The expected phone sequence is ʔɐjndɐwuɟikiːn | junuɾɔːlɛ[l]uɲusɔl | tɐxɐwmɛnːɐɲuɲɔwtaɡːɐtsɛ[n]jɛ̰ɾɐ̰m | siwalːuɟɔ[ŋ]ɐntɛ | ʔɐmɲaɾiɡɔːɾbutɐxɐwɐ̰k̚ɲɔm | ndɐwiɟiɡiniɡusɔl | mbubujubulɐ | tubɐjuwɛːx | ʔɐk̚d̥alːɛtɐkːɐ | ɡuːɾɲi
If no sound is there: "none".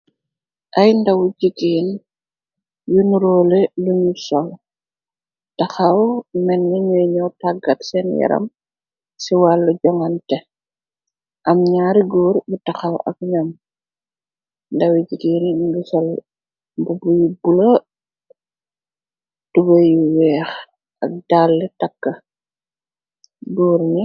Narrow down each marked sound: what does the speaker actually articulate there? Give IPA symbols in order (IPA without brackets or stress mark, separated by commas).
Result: l, n, ŋ